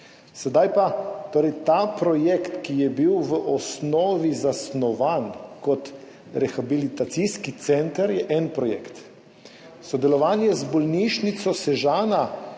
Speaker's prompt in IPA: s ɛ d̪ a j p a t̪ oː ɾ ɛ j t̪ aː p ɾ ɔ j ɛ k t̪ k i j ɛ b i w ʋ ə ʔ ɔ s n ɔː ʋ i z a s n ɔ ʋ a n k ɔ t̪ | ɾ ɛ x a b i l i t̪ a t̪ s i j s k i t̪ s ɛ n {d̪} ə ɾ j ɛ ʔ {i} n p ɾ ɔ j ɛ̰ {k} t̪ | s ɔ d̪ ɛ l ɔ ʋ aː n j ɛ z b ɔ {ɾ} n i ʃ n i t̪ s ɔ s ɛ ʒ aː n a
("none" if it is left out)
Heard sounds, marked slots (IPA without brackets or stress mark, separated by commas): t̪, ɛ, k, l